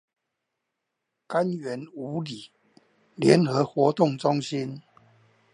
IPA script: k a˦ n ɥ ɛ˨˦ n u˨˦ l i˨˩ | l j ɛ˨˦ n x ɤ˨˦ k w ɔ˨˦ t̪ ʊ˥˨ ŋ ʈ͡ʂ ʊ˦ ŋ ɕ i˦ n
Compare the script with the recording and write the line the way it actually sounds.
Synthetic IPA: k a˦ n ɥ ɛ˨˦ n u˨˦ l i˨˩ | l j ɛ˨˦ n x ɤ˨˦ x w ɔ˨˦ t̪ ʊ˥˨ ŋ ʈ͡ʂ ʊ˦ ŋ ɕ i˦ n